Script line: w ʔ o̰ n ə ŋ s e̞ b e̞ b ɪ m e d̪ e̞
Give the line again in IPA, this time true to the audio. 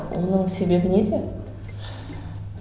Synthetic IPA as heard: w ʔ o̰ n ə ɴ s e̞ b e̞ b ɪ n e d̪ e̞

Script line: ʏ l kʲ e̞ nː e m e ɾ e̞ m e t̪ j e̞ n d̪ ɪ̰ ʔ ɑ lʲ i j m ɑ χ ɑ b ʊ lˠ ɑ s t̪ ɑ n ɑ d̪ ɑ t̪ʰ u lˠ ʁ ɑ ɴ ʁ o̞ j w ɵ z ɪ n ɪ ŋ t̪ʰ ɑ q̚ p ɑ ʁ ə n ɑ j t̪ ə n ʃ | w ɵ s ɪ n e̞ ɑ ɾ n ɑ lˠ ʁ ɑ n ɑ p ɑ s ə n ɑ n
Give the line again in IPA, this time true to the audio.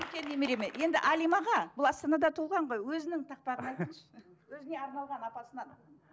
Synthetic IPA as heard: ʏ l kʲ e̞ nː e m e ɾ e̞ m e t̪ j e̞ n d̪ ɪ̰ ʔ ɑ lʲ i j m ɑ ʁ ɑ b ʊ lˠ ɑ s t̪ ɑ n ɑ d̪ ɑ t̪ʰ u lˠ ʁ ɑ ɴ ʁ o̞ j w ɵ z ɪ n ɪ ŋ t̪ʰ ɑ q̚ p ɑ ʁ ə n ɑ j t̪ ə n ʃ | w ɵ z ɪ n e̞ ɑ ɾ n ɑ lˠ ʁ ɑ n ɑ p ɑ s ə n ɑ n

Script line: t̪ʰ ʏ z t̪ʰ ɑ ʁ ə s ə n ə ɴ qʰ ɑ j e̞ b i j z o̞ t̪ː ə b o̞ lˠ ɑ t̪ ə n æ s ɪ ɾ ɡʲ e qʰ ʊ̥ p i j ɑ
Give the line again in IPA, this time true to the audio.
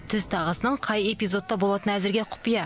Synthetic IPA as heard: t̪ʰ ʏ z t̪ʰ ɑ ʁ ə s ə n ə ɴ qʰ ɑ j e̞ p i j z o̞ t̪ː ɑ b o̞ lˠ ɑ t̪ ə n æ z ɪ ɾ ɡʲ e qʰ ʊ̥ p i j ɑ

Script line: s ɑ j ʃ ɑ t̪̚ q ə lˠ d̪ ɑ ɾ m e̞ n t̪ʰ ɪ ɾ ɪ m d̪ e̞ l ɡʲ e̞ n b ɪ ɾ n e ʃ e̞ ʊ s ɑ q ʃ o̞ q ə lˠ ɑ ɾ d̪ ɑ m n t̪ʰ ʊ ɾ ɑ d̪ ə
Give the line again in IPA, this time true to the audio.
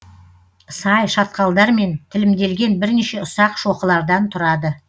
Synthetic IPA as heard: s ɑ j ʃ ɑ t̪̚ q ɑ lˠ d̪ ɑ ɾ m e̞ n t̪ʰ ɪ l ɪ m d̪ e̞ l ɡʲ e̞ n b ɪ ɾ n e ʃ e̞ ʊ s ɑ q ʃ o̞ q ə lˠ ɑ ɾ d̪ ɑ n t̪ʰ ʊ ɾ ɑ d̪ ə

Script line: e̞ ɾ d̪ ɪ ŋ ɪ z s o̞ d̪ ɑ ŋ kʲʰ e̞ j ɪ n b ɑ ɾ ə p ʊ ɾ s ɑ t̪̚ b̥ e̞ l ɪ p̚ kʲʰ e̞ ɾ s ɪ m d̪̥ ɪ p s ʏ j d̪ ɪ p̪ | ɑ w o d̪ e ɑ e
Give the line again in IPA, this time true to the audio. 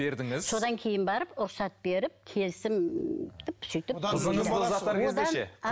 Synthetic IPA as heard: e̞ ɾ d̪ ɪ ŋ ɪ z s o̞ d̪ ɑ ŋ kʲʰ e̞ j ɪ n b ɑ ɾ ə p ʊ ɾ s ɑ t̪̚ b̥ e̞ ɾ ɪ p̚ kʲʰ e̞ l s ɪ m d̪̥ ɪ p s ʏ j t̪ ɪ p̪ | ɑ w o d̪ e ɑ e

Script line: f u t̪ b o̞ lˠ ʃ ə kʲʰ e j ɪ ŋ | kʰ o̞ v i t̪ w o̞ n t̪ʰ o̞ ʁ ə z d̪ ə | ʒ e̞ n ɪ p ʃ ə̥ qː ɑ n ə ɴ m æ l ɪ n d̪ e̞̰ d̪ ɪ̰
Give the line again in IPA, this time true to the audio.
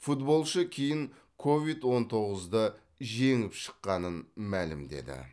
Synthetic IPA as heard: f u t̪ b o̞ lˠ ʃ ə kʲʰ e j ɪ ŋ | kʰ o̞ v i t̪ w o̞ n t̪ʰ o̞ ʁ ə z d̪ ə | ʒ e̞ ŋ ɪ p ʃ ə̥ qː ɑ n ə n m æ l ɪ m d̪ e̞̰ d̪ ɪ̰

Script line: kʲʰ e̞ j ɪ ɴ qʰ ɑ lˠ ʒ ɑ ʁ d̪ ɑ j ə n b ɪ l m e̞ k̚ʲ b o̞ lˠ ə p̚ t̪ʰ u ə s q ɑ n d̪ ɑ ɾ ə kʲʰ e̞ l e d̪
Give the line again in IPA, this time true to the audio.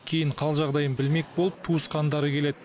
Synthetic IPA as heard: kʲʰ e̞ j ɪ ɴ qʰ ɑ lˠ ʒ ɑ ʁ d̪ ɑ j ə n b ɪ l m e̞ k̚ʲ b o̞ lˠ ə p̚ t̪ʰ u ə s q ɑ n d̪ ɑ ɾ ə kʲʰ e̞ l e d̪

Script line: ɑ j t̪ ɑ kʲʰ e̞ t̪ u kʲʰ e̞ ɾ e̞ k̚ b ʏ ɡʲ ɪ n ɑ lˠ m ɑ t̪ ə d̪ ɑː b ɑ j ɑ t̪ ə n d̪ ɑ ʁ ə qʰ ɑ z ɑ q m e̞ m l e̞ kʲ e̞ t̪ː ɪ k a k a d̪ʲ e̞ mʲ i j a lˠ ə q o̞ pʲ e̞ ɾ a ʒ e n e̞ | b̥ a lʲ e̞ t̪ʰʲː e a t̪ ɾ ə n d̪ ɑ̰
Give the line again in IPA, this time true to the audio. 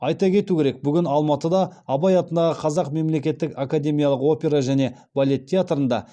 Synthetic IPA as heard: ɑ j t̪ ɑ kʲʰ e̞ t̪ u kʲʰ e̞ ɾ e̞ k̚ b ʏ ɡʲ ɪ n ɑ lˠ m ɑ t̪ ə d̪ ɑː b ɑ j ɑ t̪ ə n d̪ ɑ ʁ ə qʰ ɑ z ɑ q m e̞ m l e̞ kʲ e̞ t̪ː ɪ k a k a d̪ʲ e̞ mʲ i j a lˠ ə q o̞ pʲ e̞ ɾ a ʒ æ n e̞ | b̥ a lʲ e̞ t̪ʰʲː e a t̪ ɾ ə n d̪ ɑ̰

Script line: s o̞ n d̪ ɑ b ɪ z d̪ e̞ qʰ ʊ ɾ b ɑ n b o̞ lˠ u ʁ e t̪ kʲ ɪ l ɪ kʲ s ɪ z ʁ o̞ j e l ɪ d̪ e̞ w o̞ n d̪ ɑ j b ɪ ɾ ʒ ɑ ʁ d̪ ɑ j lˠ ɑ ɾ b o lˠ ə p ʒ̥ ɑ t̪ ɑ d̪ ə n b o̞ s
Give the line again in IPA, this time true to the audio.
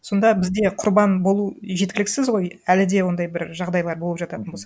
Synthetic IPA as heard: s o̞ n d̪ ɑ b ɪ z d̪ e̞ qʰ ʊ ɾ b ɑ n b o̞ lˠ u ʒ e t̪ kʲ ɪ l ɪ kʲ s ɪ z ʁ o̞ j æ l ɪ d̪ e̞ w o̞ n d̪ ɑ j b ɪ ɾ ʒ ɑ ʁ d̪ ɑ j lˠ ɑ ɾ b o lˠ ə p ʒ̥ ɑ t̪ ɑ t̪ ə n b o̞ s

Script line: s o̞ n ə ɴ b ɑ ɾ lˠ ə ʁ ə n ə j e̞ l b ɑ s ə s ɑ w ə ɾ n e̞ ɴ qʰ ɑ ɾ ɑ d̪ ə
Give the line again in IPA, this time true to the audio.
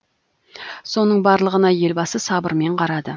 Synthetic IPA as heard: s o̞ n ə ɴ b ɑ ɾ lˠ ə ʁ ə n ɑ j e̞ l b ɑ s ə s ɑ b ə ɾ m e̞ ɴ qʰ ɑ ɾ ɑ d̪ ə

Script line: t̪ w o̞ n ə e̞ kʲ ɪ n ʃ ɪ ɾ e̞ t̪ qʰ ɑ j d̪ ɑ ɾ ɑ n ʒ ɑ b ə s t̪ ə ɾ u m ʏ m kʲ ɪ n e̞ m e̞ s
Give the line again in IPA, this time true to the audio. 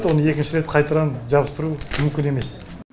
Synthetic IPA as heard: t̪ w o̞ n ə e̞ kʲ ɪ n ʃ ɪ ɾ e̞ t̪ qʰ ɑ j t̪ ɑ ɾ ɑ n ʒ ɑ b ə s t̪ ə ɾ u m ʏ m kʲ ɪ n e̞ m e̞ s

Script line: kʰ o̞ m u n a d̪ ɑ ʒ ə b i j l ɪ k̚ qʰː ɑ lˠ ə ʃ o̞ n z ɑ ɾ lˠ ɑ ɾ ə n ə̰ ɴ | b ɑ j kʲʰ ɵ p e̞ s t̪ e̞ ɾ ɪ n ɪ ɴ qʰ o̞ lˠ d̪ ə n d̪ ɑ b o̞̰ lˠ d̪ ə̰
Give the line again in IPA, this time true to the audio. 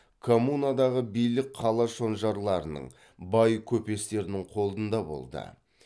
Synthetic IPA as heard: kʰ o̞ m u n a d̪ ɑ ʁ ə b i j l ɪ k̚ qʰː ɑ lˠ ɑ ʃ o̞ n ʒ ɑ ɾ lˠ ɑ ɾ ə n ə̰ ɴ | b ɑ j kʲʰ ɵ p e̞ s t̪ e̞ ɾ ɪ n ɪ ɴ qʰ o̞ lˠ d̪ ə n d̪ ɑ b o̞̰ lˠ d̪ ə̰

